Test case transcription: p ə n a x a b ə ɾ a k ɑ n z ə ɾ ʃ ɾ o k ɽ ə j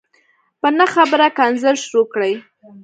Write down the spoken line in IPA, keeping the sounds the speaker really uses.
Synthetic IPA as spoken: p ə n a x a b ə ɾ a k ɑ n z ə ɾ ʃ ɾ o k ɽ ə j